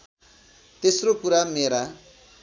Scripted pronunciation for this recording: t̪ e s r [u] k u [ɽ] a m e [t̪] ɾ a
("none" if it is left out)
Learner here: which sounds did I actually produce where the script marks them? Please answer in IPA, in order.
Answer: o, ɾ, none

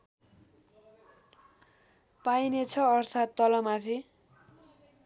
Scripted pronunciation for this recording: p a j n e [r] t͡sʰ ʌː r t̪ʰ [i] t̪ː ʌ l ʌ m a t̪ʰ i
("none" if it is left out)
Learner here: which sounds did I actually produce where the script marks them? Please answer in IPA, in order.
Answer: none, a

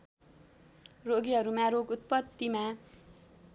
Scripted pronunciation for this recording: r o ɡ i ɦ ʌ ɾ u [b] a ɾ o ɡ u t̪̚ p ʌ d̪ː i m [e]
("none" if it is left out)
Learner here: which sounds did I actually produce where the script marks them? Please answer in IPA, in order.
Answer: m, a

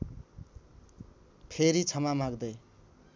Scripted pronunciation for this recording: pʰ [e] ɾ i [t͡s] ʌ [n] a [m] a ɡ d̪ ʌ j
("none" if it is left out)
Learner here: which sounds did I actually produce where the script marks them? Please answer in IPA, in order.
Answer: e, t͡sʰ, m, m

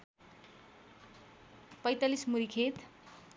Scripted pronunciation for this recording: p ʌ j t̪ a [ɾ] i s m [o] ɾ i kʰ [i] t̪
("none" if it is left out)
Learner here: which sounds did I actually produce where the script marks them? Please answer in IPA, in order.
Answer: l, u, e

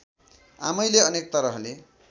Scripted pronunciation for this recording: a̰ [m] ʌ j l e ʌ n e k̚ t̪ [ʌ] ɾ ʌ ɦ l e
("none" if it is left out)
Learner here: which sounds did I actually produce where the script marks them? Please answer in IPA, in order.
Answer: m, ʌ

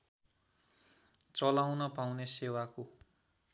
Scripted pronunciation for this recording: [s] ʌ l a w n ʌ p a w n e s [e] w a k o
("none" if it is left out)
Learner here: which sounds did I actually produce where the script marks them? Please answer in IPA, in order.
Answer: t͡s, e

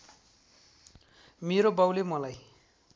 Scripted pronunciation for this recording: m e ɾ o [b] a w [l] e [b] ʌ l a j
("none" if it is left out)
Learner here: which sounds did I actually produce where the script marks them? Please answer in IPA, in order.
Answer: b, l, m

